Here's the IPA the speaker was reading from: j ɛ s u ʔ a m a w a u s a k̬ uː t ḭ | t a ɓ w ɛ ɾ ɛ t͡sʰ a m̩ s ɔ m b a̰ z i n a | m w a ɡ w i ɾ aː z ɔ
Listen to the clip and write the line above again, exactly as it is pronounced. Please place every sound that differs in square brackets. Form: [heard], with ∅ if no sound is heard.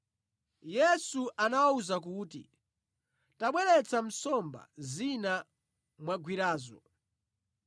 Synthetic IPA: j ɛ s u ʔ a [n] a w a u [z] a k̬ uː t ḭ | t a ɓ w ɛ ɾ ɛ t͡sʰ a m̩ s ɔ m b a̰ z i n a | m w a ɡ w i ɾ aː z ɔ

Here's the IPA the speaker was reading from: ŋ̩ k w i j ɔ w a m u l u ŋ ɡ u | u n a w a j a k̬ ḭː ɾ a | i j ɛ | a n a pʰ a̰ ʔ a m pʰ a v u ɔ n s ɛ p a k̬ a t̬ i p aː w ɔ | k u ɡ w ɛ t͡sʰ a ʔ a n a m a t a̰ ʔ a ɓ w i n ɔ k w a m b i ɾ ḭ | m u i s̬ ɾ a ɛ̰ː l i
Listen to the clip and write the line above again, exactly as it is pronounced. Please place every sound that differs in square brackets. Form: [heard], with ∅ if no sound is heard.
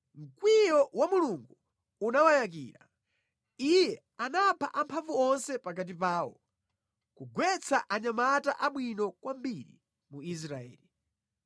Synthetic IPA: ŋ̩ k w i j ɔ w a m u l u ŋ ɡ u | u n a w a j a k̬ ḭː ɾ a | i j ɛ | a n a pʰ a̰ ʔ a m pʰ a v u ɔ n s ɛ p a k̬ a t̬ i p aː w ɔ | k u ɡ w ɛ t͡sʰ a ʔ a [ɲ] a m a t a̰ ʔ a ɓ w i n ɔ k w a m b i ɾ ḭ | m u i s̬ ɾ a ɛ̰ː l i

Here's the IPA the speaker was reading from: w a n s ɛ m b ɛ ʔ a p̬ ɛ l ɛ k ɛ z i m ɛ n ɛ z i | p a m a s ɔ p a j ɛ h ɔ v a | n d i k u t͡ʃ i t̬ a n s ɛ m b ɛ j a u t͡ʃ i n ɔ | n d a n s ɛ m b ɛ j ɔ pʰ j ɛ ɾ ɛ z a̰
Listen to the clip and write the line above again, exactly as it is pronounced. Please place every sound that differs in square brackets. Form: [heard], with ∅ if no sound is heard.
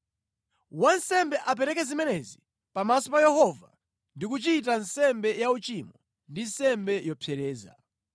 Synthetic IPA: w a n s ɛ m b ɛ ʔ a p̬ ɛ [ɾ] ɛ k ɛ z i m ɛ n ɛ z i | p a m a s ɔ p a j ɛ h ɔ v a | n d i k u t͡ʃ i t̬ a n s ɛ m b ɛ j a u t͡ʃ i [m] ɔ | n d [i] n s ɛ m b ɛ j ɔ pʰ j ɛ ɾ [ɛː] z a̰

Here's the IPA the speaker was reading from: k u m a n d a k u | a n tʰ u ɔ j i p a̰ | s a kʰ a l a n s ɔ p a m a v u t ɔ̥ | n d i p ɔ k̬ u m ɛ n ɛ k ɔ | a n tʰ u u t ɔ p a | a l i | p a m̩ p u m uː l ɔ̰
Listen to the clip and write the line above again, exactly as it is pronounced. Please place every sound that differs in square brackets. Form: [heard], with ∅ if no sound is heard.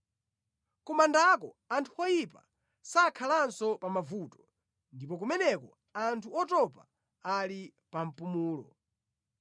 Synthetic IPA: k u m a n d a k [ɔ] | a n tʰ u ɔ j i p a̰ | s a kʰ a l a n s ɔ p a m a v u t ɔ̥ | n d i p ɔ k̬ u m ɛ n ɛ k ɔ | a n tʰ u [ɔ] t ɔ p a | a l i | p a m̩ p u m uː l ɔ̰

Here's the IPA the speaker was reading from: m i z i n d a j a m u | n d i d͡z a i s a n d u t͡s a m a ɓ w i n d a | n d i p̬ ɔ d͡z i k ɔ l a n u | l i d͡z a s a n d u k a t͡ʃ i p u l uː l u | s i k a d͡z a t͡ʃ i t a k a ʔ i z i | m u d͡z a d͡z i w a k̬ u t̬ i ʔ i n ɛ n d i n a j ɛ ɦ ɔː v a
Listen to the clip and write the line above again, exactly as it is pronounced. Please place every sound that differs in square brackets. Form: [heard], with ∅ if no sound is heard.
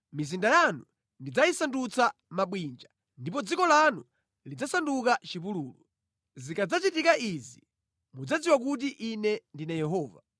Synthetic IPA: m i z i n d a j a [n] u | n d i d͡z a i s a n d u t͡s a m a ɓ w i n [d͡ʒ] a | n d i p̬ ɔ d͡z i k ɔ l a n u | l i d͡z a s a n d u k a t͡ʃ i p u l uː l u | [z] i k a d͡z a t͡ʃ i t [i] k a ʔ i z i | m u d͡z a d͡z i w a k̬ u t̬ i ʔ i n ɛ n d i n a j ɛ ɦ ɔː v a

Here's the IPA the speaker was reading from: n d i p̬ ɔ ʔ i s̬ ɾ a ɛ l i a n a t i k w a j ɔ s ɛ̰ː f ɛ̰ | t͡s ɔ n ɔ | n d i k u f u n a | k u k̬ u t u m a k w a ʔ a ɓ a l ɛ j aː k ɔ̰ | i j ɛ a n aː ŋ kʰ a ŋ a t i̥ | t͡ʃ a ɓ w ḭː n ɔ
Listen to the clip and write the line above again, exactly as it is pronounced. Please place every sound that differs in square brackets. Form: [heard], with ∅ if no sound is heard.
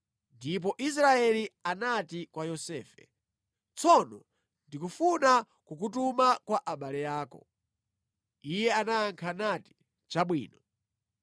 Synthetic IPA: n d i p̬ ɔ ʔ i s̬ ɾ a ɛ l i a n a t i k w a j ɔ s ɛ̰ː f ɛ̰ | t͡s ɔ n ɔ | n d i k u f u n a | k u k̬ u t u m a k w a ʔ a ɓ a l ɛ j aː k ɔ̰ | i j ɛ a n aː ŋ kʰ a [n] a t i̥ | t͡ʃ a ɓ w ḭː n ɔ

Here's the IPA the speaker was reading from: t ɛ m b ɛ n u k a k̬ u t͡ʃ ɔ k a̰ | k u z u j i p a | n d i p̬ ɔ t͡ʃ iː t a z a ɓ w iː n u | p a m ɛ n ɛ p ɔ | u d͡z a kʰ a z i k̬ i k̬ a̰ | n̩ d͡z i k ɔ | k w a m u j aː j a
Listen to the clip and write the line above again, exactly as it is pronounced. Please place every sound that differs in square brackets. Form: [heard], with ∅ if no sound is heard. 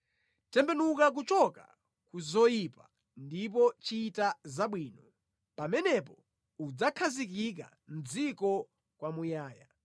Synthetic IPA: t ɛ m b ɛ n u k a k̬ u t͡ʃ ɔ k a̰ | k u z [ɔ] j i p a | n d i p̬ ɔ t͡ʃ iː t a z a ɓ w iː n [ɔ] | p a m ɛ n ɛ p ɔ | u d͡z a kʰ a z i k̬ i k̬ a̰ | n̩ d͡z i k ɔ | k w a m u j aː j a

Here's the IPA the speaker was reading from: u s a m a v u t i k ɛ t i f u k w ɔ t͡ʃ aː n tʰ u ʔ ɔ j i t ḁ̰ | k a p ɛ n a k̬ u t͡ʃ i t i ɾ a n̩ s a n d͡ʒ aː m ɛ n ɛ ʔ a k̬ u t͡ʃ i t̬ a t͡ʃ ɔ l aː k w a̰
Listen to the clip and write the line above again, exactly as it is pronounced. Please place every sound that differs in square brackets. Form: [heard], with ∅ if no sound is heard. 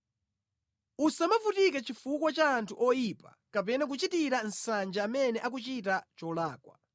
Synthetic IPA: u s a m a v u t i k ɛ [t͡ʃ] i f u k w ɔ t͡ʃ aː n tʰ u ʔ ɔ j i [p] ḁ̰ | k a p ɛ n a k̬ u t͡ʃ i t i ɾ a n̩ s a n d͡ʒ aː m ɛ n ɛ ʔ a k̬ u t͡ʃ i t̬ a t͡ʃ ɔ l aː k w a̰

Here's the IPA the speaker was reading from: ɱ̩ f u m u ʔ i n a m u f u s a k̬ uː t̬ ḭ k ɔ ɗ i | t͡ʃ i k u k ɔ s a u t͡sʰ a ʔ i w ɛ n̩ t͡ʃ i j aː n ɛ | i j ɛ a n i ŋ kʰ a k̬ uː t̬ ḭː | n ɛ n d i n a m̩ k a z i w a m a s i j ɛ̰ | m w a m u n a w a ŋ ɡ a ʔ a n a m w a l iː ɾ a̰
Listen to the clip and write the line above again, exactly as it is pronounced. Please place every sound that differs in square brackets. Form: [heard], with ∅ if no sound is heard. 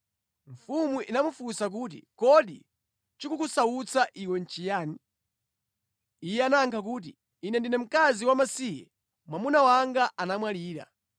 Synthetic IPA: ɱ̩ f u m u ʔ i n a m u f u s a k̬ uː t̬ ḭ k ɔ ɗ i | t͡ʃ i k u k [u] s a u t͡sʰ a ʔ i w ɛ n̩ t͡ʃ i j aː n [i] | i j ɛ a n [a] ŋ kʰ a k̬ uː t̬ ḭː | n ɛ n d i n [ɛ] m̩ k a z i w a m a s i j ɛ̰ | m w a m u n a w a ŋ ɡ a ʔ a n a m w a l iː ɾ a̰

